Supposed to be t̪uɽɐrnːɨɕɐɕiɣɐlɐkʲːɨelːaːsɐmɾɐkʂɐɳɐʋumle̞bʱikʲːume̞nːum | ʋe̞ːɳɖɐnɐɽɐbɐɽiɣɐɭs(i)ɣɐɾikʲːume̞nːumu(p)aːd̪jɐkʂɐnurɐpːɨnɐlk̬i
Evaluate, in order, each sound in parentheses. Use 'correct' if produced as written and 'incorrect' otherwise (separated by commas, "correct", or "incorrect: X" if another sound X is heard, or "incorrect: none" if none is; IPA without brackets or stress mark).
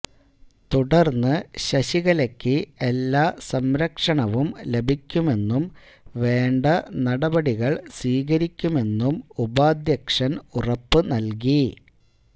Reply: incorrect: iː, incorrect: b